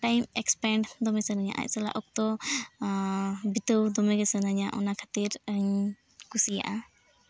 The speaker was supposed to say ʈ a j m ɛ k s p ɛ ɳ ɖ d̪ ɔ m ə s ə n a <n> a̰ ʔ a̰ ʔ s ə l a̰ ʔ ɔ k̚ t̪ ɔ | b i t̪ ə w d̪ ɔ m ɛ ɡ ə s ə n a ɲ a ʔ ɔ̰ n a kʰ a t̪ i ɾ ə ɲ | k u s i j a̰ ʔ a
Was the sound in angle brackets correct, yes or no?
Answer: no